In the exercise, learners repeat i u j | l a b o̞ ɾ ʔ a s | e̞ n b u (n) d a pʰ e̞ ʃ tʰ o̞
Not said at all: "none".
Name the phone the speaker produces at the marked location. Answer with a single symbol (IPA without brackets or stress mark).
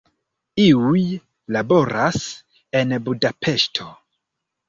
none